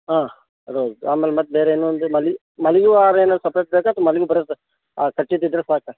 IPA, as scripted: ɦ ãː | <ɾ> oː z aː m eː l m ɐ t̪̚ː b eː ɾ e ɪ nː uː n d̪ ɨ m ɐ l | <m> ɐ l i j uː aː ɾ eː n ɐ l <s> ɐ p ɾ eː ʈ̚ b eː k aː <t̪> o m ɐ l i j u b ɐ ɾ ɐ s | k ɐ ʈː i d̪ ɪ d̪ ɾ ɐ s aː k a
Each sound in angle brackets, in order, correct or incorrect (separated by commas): correct, correct, correct, correct